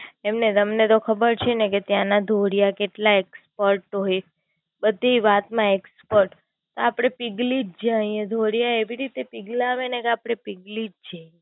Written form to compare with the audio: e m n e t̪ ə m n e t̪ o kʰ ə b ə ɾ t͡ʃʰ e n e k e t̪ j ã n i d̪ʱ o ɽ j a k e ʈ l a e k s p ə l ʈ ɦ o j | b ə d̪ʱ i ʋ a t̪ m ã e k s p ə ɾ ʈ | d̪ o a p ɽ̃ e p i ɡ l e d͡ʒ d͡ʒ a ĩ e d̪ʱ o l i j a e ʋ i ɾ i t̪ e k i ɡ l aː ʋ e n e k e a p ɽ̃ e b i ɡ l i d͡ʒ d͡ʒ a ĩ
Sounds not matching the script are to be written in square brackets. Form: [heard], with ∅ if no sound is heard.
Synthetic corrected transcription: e m n e t̪ ə m n e t̪ o kʰ ə b ə ɾ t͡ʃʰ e n e k e t̪ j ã n [a] d̪ʱ o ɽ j a k e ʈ l a e k s p ə [ɾ] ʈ ɦ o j | b ə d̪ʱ i ʋ a t̪ m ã e k s p ə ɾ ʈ | [t̪] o a p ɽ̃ e p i ɡ l [i] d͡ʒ d͡ʒ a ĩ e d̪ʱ o [ɽ] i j a e ʋ i ɾ i t̪ e [p] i ɡ l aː ʋ e n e k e a p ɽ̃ e [p] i ɡ l i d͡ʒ d͡ʒ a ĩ